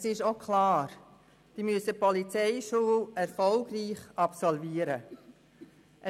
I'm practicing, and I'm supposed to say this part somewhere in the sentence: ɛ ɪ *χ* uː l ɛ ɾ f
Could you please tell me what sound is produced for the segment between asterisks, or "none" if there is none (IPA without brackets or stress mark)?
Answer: ʃ